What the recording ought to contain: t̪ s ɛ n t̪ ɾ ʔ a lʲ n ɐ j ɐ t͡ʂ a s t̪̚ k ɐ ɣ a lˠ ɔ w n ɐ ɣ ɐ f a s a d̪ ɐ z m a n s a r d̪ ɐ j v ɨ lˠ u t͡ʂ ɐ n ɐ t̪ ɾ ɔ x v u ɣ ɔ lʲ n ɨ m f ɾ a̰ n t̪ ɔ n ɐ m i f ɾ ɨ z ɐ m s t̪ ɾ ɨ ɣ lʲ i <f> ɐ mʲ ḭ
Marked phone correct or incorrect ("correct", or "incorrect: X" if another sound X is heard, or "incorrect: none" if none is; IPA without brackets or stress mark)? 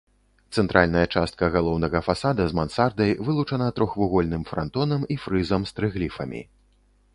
correct